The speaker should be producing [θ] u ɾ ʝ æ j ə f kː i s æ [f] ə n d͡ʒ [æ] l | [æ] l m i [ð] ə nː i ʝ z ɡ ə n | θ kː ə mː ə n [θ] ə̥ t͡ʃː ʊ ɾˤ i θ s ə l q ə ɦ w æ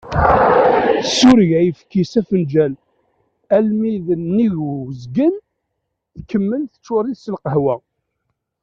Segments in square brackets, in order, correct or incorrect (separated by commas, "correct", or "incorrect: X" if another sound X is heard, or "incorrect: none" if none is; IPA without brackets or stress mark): incorrect: s, correct, correct, correct, correct, correct